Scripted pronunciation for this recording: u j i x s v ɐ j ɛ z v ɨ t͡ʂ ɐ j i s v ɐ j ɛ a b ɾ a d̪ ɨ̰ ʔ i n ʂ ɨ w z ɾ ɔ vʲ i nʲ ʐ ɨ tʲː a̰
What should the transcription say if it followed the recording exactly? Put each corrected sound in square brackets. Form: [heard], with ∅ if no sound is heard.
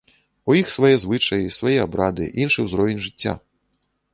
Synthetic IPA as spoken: u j i x s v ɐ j ɛ z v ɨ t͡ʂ ɐ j i s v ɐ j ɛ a b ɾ a d̪ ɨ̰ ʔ i n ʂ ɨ w z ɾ ɔ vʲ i nʲ ʐ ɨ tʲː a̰